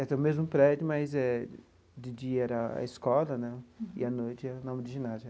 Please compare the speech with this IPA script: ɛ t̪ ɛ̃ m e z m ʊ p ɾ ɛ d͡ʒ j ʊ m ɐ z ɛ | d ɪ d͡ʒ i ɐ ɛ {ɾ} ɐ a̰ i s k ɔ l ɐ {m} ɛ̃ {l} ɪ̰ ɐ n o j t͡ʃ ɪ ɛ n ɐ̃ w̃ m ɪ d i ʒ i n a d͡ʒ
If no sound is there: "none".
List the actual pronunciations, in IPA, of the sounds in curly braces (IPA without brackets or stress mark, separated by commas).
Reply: ɾ, n, none